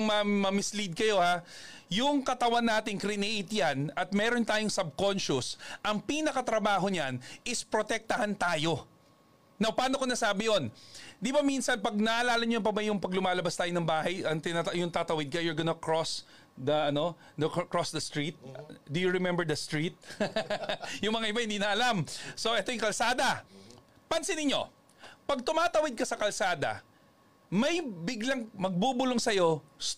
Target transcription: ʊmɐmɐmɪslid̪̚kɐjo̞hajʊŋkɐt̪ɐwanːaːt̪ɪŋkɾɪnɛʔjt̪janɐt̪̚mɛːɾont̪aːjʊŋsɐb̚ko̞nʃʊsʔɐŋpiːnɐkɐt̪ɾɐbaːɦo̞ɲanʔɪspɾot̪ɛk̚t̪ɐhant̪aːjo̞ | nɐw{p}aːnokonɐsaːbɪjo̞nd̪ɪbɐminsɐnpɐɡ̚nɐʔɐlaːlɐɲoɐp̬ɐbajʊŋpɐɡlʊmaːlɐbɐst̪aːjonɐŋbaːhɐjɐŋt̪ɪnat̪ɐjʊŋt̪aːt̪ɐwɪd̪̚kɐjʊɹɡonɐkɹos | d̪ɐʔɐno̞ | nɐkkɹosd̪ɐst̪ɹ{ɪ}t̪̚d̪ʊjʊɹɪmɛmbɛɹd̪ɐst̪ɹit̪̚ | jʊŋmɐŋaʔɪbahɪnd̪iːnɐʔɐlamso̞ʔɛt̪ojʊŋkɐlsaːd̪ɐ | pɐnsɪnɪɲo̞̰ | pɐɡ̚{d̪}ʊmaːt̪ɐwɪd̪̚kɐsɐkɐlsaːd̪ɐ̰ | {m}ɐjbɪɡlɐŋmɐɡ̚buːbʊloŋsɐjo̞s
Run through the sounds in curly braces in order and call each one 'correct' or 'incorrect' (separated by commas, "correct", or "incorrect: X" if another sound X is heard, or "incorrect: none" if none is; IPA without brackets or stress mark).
correct, incorrect: i, incorrect: t̪, correct